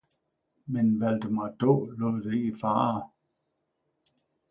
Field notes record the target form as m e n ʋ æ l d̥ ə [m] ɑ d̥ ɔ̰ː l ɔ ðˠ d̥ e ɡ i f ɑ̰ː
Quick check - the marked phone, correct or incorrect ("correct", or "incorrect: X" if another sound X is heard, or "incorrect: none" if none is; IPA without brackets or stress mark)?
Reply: correct